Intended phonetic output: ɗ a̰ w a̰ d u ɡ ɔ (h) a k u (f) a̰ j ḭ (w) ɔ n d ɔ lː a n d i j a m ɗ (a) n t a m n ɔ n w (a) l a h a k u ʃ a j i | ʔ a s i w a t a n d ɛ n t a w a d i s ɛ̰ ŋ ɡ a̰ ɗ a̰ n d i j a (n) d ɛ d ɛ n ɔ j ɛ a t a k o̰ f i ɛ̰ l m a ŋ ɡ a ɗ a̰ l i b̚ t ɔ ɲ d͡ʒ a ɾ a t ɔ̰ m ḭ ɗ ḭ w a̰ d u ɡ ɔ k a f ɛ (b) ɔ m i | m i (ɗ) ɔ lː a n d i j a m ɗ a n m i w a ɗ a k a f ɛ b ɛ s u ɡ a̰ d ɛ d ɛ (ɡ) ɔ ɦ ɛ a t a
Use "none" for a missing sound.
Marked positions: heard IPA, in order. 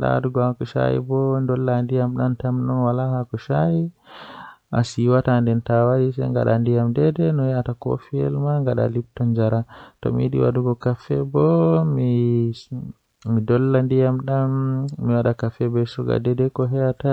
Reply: h, ʃ, b, a, a, m, b, d, k

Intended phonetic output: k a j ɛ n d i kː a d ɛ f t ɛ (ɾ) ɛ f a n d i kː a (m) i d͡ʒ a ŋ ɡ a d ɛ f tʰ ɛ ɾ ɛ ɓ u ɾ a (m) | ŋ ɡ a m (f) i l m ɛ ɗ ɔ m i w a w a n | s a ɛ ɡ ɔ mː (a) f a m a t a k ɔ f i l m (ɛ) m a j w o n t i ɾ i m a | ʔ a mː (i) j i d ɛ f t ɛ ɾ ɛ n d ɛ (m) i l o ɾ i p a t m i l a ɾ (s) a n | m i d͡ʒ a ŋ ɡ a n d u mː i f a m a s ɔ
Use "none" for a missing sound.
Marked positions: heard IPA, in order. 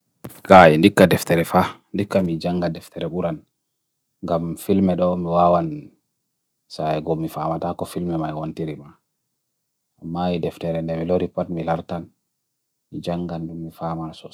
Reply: ɾ, m, n, f, i, ɛ, a, m, t

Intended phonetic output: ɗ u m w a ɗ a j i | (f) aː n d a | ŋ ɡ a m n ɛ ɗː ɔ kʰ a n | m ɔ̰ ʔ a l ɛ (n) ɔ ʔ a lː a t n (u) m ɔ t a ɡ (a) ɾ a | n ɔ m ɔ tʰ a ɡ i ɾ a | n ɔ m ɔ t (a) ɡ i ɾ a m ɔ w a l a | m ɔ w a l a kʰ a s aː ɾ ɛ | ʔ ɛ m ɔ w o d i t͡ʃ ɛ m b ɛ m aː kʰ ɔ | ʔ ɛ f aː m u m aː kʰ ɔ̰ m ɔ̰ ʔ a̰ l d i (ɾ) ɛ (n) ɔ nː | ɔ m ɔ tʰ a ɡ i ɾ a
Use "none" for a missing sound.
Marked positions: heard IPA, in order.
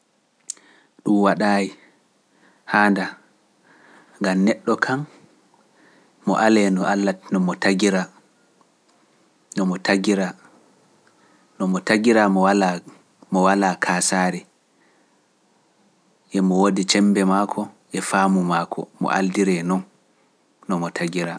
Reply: h, n, ɔ, i, a, ɾ, n

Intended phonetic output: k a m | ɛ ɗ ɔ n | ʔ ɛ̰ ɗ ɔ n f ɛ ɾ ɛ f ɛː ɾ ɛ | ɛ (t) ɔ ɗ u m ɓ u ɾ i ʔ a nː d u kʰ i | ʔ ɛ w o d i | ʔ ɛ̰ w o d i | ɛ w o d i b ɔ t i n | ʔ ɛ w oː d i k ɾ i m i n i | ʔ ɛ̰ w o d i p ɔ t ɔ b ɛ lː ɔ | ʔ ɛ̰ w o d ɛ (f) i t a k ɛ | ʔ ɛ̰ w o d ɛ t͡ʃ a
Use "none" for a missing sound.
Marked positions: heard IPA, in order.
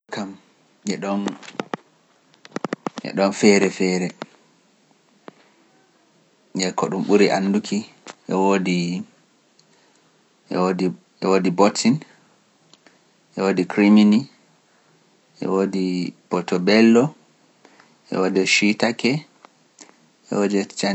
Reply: k, ʃ

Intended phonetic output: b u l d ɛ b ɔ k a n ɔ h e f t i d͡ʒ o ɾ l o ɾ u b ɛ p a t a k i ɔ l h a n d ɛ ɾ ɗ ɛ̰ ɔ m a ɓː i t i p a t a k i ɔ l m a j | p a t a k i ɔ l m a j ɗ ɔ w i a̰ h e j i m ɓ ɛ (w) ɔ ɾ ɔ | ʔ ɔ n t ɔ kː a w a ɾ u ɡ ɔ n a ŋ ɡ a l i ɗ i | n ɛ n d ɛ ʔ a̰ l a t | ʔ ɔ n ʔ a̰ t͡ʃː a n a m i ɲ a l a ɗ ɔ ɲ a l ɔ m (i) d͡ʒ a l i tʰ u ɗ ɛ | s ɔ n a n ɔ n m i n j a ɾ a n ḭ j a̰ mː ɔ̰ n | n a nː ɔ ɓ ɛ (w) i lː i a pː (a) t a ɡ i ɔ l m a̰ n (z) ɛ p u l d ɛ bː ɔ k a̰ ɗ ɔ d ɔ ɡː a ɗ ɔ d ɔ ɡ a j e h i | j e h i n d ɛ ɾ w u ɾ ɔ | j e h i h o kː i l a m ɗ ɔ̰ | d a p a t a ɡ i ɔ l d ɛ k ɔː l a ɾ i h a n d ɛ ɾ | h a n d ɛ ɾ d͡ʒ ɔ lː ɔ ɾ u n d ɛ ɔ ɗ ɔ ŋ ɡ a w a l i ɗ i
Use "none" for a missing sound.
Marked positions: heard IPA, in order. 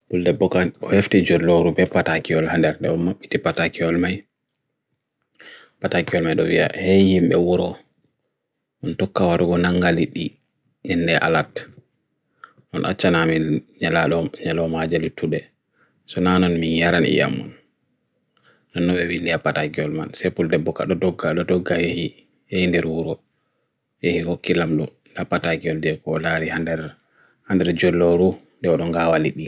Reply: w, a, w, a, s

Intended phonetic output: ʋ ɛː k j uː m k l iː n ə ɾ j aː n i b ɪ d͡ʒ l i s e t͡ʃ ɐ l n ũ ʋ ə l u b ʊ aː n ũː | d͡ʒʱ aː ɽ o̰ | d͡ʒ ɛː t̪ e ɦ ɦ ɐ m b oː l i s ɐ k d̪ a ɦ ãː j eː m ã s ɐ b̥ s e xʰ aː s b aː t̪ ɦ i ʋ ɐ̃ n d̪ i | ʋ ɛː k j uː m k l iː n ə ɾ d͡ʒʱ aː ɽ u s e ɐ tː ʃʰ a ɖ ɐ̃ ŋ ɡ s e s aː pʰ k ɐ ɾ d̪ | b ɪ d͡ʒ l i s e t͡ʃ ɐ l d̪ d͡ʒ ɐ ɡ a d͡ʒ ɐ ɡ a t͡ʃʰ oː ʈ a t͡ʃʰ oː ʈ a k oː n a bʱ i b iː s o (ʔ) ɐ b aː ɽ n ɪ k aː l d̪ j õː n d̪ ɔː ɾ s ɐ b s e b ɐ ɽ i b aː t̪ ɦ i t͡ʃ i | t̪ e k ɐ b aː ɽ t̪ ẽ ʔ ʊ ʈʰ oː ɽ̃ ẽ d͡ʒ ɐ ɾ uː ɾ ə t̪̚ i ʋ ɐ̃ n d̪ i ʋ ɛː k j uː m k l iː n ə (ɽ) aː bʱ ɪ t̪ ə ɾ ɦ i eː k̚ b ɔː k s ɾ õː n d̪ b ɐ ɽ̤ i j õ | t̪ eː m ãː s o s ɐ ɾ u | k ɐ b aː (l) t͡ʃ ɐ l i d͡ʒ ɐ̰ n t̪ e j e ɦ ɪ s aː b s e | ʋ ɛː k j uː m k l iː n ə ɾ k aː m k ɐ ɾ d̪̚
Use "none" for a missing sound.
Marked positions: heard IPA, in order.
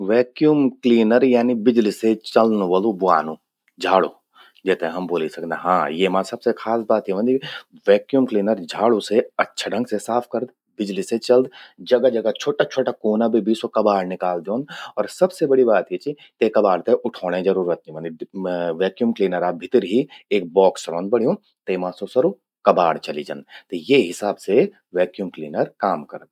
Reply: k, ɾ, ɽ

